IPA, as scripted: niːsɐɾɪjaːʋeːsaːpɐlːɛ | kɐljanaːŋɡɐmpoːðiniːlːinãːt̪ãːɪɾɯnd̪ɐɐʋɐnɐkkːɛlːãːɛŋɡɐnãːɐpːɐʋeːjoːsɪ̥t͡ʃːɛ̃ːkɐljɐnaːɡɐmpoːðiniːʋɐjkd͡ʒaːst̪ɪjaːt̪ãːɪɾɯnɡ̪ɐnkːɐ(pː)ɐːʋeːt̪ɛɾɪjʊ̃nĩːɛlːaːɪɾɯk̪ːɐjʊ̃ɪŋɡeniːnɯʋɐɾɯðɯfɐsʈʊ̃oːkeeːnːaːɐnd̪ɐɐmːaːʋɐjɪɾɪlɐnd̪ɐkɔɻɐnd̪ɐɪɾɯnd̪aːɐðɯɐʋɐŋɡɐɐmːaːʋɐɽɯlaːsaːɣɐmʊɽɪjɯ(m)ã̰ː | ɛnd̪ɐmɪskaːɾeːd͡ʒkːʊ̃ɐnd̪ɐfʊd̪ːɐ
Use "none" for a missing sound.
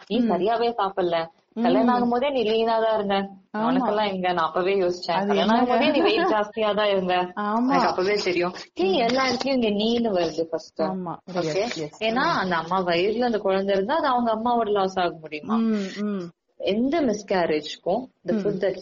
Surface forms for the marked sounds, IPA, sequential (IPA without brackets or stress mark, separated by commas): pː, m